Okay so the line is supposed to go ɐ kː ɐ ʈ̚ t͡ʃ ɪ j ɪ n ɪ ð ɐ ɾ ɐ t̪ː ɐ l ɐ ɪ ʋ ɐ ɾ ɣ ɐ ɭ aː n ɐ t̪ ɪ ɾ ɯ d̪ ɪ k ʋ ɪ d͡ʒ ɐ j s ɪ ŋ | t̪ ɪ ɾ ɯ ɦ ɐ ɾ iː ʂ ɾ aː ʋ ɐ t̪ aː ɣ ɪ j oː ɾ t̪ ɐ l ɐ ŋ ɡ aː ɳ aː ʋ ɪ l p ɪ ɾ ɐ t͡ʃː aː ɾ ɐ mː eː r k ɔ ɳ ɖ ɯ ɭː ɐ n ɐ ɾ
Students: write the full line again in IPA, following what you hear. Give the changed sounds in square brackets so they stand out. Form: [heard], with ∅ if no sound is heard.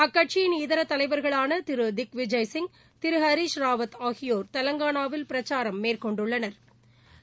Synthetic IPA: ɐ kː ɐ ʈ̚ t͡ʃ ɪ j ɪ n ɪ ð ɐ ɾ ɐ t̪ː ɐ l ɐ ɪ ʋ ɐ ɾ ɣ ɐ ɭ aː n ɐ t̪ ɪ ɾ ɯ d̪ ɪ k ʋ ɪ d͡ʒ ɐ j s ɪ ŋ | t̪ ɪ ɾ ɯ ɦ ɐ ɾ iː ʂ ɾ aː ʋ ɐ t̪ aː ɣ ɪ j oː ɾ t̪ ɐ l ɐ ŋ ɡ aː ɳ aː ʋ ɪ l p ɪ ɾ ɐ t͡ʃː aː ɾ ɐ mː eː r k ɔ ɳ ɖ ɯ ɭː ɐ n ɐ ɾ

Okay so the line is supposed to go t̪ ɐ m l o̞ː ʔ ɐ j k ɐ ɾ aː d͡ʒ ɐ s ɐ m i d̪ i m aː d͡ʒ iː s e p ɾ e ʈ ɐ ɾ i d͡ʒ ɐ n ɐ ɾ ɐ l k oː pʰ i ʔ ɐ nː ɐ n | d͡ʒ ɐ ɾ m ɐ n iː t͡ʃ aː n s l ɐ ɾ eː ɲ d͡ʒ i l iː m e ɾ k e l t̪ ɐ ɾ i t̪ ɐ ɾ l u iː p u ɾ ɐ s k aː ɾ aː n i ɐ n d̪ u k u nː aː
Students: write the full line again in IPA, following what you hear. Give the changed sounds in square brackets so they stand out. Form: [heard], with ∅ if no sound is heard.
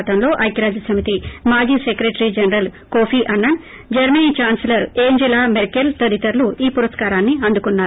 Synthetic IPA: t̪ ɐ m l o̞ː ʔ ɐ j k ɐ ɾ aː d͡ʒ ɐ s ɐ m i [t̪] i m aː d͡ʒ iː s e [k] ɾ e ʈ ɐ ɾ i d͡ʒ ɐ n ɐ ɾ ɐ l k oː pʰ i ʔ ɐ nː ɐ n | d͡ʒ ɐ ɾ m ɐ n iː t͡ʃ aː n s l ɐ ɾ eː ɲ d͡ʒ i l [aː] m e ɾ k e l t̪ ɐ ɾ i t̪ ɐ ɾ l u iː p u ɾ ɐ s k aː ɾ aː [nː] i ɐ n d̪ u k u nː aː

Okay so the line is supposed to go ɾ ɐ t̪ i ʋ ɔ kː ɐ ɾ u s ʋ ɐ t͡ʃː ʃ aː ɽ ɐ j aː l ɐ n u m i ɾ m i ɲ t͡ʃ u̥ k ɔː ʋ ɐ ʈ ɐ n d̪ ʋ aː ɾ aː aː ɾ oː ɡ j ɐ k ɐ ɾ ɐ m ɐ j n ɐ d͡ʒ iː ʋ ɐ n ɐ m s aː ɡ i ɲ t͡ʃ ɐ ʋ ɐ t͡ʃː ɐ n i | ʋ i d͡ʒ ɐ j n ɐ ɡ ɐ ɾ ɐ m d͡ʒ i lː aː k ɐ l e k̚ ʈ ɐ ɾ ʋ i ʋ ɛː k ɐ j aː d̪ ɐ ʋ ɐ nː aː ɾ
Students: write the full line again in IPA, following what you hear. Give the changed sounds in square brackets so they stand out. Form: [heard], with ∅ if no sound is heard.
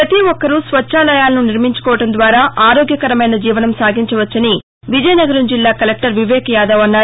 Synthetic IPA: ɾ ɐ t̪ i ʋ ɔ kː ɐ ɾ u s ʋ ɐ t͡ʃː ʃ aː [l] ɐ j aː l ɐ n u [n] i ɾ m i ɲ t͡ʃ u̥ k ɔː ʋ ɐ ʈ ɐ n d̪ ʋ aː ɾ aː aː ɾ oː ɡ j ɐ k ɐ ɾ ɐ m ɐ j n ɐ d͡ʒ iː ʋ ɐ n ɐ m s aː ɡ i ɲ t͡ʃ ɐ ʋ ɐ t͡ʃː ɐ n i | ʋ i d͡ʒ ɐ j n ɐ ɡ ɐ ɾ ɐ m d͡ʒ i lː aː k ɐ l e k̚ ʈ ɐ ɾ ʋ i ʋ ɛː k ɐ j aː d̪ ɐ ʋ ɐ nː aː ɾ

